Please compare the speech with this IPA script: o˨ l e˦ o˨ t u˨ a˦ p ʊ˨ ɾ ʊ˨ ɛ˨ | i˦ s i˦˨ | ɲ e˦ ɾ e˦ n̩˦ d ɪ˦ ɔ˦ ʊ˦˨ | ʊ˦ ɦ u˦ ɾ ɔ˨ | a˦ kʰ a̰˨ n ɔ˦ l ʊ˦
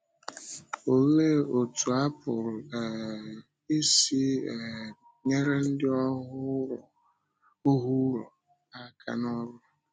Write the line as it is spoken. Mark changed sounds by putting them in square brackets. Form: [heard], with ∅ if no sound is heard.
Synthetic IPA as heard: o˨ l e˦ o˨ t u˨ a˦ p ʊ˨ ɾ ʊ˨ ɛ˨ | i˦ s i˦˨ | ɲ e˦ ɾ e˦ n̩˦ d ɪ˦ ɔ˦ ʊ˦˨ | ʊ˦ ɦ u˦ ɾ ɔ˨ | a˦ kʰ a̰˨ n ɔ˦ [ɾ] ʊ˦